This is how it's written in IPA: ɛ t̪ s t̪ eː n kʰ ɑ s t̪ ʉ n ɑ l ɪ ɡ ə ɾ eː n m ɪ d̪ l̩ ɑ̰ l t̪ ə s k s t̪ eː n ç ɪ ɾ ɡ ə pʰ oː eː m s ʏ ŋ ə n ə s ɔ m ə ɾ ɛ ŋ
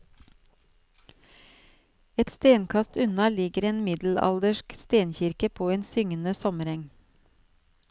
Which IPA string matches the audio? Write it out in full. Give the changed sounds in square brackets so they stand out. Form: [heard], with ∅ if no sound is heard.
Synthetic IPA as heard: ɛ t̪ s t̪ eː n kʰ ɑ s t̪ ʉ n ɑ l ɪ ɡ ə ɾ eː n m ɪ d̪ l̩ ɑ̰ l [d̪] ə [ʃ] k s t̪ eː n ç ɪ ɾ [k] ə pʰ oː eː [n] s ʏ ŋ ə n ə s ɔ m ə ɾ ɛ ŋ